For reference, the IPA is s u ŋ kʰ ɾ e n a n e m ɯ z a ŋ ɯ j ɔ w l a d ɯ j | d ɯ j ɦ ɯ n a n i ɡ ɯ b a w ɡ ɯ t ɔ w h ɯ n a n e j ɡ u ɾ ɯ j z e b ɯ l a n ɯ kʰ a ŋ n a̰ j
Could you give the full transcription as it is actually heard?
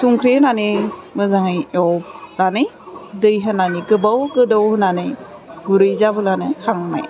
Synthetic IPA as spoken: s u ŋ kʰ ɾ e n a n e m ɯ z a ŋ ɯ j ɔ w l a n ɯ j | d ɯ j ɦ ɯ n a n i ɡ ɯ b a w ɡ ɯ d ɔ w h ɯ n a n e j ɡ u ɾ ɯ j z a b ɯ l a n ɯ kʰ a ŋ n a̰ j

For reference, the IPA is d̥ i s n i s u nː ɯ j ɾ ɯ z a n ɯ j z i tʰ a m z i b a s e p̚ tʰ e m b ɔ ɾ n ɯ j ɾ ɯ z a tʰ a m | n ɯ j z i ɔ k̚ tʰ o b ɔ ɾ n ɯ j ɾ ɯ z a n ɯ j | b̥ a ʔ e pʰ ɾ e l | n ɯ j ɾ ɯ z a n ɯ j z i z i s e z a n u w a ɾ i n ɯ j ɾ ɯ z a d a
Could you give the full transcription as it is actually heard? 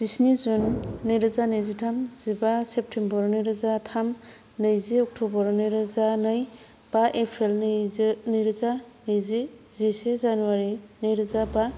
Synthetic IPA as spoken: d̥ i s n i z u nː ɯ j ɾ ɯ z a n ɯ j z i tʰ a m z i b a s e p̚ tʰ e m b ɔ ɾ n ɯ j ɾ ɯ z a tʰ a m | n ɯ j z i ɔ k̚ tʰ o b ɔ ɾ n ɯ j ɾ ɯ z a n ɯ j | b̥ a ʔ e pʰ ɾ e l | n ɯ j ɾ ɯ z a n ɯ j z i z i s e z a n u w a ɾ i n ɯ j ɾ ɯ z a b a

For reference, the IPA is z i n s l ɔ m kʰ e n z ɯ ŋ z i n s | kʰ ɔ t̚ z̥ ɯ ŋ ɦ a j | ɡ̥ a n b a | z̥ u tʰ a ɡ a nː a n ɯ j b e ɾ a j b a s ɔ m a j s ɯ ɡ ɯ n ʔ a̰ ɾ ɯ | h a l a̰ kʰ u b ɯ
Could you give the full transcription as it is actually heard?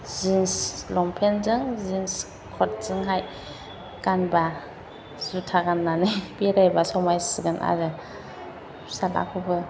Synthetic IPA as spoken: z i n s l ɔ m pʰ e n z ɯ ŋ z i n s | kʰ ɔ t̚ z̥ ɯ ŋ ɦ a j | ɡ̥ a n b a | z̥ u tʰ a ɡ a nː a n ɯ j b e ɾ a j b a s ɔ m a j s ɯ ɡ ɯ n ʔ a̰ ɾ ɯ | s a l a̰ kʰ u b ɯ

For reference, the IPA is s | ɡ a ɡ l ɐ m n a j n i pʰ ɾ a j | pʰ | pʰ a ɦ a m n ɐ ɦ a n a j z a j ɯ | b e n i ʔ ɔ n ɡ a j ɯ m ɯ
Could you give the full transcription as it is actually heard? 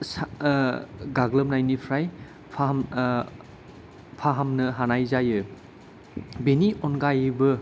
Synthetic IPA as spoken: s | ɡ a ɡ l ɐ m n a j n i pʰ ɾ a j | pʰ | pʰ a ɦ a m n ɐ ɦ a n a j z a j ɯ | b e n i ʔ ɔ n ɡ a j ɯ b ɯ

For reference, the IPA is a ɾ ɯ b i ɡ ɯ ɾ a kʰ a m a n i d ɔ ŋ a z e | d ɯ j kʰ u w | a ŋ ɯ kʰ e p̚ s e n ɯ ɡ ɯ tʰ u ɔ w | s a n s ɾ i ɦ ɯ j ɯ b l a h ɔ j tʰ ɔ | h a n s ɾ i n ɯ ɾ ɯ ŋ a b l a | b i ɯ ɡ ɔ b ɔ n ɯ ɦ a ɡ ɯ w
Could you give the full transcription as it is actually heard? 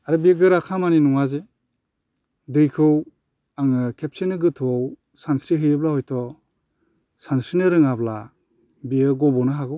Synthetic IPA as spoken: a ɾ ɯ b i ɡ ɯ ɾ a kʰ a m a n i n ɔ ŋ a z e | d ɯ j kʰ ɯ w | a ŋ ɯ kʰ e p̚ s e n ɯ ɡ ɯ tʰ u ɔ w | s a n s ɾ i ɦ ɯ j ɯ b l a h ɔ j tʰ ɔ | s a n s ɾ i n ɯ ɾ ɯ ŋ a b l a | b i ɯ ɡ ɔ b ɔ n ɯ ɦ a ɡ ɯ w

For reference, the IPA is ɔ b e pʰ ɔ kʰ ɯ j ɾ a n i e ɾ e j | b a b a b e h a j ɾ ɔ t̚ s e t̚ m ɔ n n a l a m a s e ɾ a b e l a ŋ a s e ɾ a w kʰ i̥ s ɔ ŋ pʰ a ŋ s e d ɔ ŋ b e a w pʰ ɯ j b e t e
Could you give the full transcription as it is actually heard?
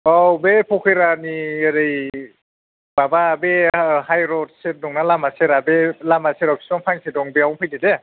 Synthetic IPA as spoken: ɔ b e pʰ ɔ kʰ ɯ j ɾ a n i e ɾ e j | b a b a b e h a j ɾ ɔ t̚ s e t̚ n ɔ ŋ n a l a m a s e ɾ a b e l a m a s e ɾ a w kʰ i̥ s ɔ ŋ pʰ a ŋ s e d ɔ ŋ b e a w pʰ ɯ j d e d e

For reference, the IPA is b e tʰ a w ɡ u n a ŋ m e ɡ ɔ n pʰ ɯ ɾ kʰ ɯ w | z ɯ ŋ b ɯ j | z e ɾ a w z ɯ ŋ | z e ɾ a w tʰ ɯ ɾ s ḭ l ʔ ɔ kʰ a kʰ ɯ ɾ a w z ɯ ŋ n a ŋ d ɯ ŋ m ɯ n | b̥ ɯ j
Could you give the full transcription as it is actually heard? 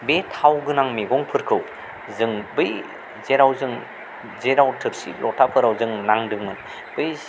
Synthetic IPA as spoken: b e tʰ a w ɡ ɯ n a ŋ m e ɡ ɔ ŋ pʰ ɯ ɾ kʰ ɯ w | z ɯ ŋ b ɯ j | z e ɾ a w z ɯ ŋ | z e ɾ a w tʰ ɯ ɾ s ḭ l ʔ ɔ tʰ a pʰ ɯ ɾ a w z ɯ ŋ n a ŋ d ɯ ŋ m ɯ n | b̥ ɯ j

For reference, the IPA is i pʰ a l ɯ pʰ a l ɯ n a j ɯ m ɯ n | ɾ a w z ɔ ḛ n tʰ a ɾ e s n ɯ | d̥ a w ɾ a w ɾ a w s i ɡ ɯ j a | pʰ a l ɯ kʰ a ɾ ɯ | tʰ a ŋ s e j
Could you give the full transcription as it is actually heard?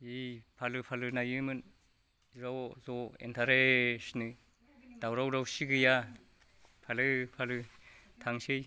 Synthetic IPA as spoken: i pʰ a l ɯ pʰ a l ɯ n a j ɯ m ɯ n | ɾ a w z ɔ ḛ n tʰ a ɾ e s n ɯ | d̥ a w ɾ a w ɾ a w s i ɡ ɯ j a | pʰ a l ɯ pʰ a l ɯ | tʰ a ŋ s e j

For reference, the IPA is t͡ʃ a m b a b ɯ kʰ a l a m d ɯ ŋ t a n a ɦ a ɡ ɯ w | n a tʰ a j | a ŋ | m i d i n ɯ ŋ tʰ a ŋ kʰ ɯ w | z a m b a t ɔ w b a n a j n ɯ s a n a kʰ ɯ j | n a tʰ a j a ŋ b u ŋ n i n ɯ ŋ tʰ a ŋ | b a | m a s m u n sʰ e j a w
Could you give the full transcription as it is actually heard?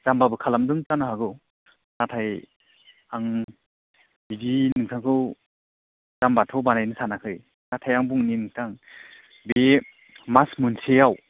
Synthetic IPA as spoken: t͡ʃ a m b a b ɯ kʰ a l a m d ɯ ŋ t a n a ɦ a ɡ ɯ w | n a tʰ a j | a ŋ | b i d i n ɯ ŋ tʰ a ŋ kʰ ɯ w | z a m b a tʰ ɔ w b a n a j n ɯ s a n a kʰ ɯ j | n a tʰ a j a ŋ b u ŋ n i n ɯ ŋ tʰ a ŋ | b e | m a s m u n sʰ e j a w

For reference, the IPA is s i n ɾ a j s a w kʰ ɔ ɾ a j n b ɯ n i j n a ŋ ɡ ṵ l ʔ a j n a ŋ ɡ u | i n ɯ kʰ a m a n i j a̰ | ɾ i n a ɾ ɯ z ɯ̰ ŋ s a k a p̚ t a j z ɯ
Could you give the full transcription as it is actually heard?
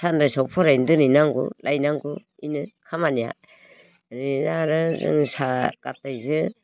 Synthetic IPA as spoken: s a n ɾ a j s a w pʰ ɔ ɾ a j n d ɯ n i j n a ŋ ɡ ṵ l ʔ a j n a ŋ ɡ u | i n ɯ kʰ a m a n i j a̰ | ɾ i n a ɾ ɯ z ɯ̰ ŋ s a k a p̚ t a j z ɯ

